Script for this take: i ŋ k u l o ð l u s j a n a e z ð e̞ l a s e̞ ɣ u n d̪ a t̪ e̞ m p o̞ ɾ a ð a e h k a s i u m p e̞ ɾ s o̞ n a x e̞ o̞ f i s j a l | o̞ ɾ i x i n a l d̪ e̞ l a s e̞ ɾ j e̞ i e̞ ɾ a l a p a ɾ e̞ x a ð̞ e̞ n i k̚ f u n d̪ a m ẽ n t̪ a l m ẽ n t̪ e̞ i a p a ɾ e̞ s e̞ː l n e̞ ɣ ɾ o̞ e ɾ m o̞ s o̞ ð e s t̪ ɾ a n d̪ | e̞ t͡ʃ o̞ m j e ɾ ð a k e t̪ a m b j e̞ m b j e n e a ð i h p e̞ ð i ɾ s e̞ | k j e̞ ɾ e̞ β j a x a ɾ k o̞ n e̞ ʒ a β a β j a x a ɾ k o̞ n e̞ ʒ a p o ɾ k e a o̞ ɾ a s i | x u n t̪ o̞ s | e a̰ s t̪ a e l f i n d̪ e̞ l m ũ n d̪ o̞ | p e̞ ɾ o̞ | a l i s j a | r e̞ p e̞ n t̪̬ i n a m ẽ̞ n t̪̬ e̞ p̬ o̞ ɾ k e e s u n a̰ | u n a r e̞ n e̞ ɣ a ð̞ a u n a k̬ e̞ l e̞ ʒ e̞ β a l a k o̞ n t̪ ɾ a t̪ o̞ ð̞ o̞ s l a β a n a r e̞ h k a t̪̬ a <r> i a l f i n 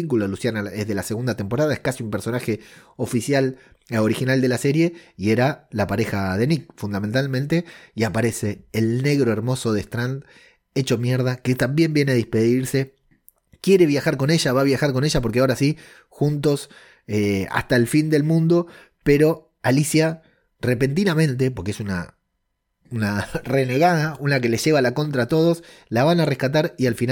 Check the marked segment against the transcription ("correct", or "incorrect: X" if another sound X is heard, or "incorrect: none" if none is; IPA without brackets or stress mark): incorrect: ɾ